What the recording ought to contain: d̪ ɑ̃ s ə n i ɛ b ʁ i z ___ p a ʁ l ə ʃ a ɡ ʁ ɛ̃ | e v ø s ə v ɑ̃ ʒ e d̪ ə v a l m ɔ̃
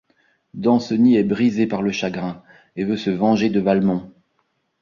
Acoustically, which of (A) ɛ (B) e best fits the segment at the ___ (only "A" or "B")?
B